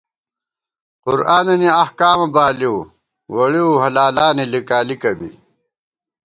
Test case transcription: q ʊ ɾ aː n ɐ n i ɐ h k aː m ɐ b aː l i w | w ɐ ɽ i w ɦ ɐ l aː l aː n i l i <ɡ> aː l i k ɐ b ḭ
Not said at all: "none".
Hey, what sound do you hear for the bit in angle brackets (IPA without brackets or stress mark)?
k